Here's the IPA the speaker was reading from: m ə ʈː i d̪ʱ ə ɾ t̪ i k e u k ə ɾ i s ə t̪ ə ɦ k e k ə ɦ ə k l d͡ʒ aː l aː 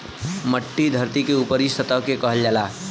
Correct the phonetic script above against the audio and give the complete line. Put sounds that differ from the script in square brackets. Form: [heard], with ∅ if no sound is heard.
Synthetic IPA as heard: m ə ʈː i d̪ʱ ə ɾ t̪ i k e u [p] ə ɾ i s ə t̪ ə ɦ k e k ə ɦ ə [∅] l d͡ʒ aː l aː

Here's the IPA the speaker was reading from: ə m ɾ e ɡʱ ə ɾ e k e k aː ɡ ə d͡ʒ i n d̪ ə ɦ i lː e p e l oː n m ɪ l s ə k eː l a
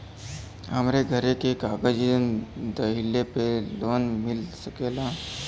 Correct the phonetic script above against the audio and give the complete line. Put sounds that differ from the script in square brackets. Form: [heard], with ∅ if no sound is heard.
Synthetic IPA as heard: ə m ɾ e ɡʱ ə ɾ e k e k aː ɡ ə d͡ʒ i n d̪ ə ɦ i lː e p e l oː n m ɪ l s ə k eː l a

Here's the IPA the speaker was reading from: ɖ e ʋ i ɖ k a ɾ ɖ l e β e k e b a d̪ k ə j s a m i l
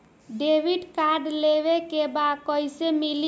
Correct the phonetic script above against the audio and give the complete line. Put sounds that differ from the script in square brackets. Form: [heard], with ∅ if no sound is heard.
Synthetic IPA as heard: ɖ e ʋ i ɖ k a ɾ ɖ l e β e k e b a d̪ k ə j s [e] m i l

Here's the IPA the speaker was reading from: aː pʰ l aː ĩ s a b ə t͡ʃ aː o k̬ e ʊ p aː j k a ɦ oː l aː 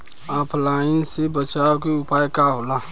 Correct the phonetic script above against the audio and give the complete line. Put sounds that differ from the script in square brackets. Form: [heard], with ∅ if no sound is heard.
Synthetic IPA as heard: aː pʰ l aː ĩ s [e] b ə t͡ʃ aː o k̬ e ʊ p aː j k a ɦ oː l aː

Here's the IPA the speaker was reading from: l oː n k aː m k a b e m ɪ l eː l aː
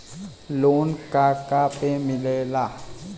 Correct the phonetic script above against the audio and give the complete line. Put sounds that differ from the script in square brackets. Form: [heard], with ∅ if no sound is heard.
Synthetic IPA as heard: l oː n k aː [∅] k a [p] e m ɪ l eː l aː

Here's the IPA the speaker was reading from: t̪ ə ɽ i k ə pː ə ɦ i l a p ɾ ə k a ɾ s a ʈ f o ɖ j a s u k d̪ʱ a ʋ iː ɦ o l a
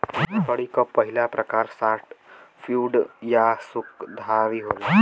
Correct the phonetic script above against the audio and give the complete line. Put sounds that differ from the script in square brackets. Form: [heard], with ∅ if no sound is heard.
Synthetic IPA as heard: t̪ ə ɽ i k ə pː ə ɦ i l a p ɾ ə k a ɾ s a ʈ f [u] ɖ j a s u k d̪ʱ a ʋ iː ɦ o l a

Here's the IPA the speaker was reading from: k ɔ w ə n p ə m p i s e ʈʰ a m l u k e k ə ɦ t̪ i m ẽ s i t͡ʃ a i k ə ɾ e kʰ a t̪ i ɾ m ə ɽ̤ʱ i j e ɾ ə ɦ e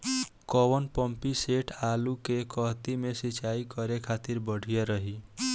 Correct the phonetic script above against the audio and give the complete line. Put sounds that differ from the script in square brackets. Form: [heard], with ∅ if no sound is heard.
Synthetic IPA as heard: k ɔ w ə n p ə m p i s e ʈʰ a [∅] l u k e k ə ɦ t̪ i m [e] s i t͡ʃ a i k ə ɾ e kʰ a t̪ i ɾ [b] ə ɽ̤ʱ i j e ɾ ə ɦ [i]

